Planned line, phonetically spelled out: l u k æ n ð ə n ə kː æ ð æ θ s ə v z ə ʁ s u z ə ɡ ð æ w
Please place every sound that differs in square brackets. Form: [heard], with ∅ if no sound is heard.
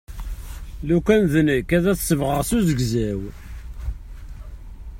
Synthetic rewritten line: l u k æ n ð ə n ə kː æ ð æ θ s ə v [ʁ] ə ʁ s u z ə ɡ [z] æ w